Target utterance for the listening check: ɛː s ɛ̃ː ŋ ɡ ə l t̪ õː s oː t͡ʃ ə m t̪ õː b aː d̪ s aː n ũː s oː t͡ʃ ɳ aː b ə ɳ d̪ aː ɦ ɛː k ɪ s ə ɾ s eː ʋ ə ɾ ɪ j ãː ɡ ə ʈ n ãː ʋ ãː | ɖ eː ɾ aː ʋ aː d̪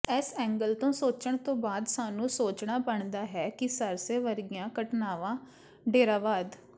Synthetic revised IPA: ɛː s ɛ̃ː ŋ ɡ ə l t̪ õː s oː t͡ʃ ə ɳ t̪ õː b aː d̪ s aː n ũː s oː t͡ʃ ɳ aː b ə ɳ d̪ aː ɦ ɛː k ɪ s ə ɾ s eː ʋ ə ɾ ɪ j ãː k ə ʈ n aː ʋ ãː | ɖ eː ɾ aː ʋ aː d̪